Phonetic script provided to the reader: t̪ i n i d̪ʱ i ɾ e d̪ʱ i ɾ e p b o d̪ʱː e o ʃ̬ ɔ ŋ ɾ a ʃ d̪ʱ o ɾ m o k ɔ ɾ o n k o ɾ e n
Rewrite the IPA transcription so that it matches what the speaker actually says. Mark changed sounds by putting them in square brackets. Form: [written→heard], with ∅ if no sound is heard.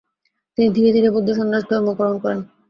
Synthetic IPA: t̪ i n i d̪ʱ i ɾ e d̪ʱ i ɾ e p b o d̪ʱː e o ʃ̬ ɔ [ŋ→n] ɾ a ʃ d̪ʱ [o→ɔ] ɾ m o k ɔ ɾ o n k [o→ɔ] ɾ e n